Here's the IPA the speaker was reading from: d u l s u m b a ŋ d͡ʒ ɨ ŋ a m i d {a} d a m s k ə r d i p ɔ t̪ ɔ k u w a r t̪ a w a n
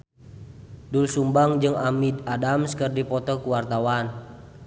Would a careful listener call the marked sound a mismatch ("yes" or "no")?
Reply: no